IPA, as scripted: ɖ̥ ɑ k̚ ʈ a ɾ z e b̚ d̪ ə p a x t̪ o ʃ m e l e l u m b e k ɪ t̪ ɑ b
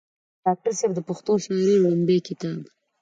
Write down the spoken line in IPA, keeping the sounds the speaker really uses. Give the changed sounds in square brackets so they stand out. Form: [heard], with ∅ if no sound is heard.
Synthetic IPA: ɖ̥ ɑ k̚ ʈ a ɾ [s] e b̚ d̪ ə p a x t̪ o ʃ m e [ɾ] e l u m b e k ɪ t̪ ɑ b